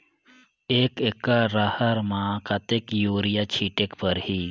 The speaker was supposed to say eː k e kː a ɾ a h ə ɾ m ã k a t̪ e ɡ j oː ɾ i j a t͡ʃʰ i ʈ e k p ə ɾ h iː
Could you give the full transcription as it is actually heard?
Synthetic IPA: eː k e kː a ɾ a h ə ɾ m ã k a t̪ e k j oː ɾ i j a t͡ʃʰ i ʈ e k p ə ɾ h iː